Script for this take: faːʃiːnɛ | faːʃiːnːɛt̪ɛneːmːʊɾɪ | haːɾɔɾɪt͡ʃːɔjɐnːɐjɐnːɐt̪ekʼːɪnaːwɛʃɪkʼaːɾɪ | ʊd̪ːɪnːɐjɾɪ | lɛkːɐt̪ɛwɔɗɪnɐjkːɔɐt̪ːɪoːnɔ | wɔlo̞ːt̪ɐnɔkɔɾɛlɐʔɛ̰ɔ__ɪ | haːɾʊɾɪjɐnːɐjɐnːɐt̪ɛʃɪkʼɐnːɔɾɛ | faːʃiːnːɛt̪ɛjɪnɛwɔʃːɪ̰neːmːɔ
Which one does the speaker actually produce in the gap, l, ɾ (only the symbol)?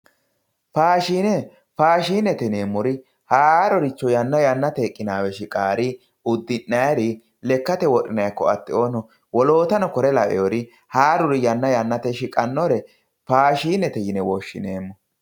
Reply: ɾ